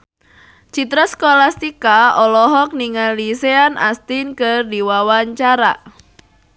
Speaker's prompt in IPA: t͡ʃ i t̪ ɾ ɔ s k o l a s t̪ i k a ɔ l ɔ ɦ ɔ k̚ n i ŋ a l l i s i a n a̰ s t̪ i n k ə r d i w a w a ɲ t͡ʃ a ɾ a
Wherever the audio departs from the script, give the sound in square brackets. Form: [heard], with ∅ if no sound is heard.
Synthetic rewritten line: t͡ʃ i t̪ ɾ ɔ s k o l a s t̪ i k a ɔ l ɔ ɦ ɔ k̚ n i ŋ a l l i s [e] a n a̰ s t̪ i n k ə r d i w a w a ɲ t͡ʃ a ɾ a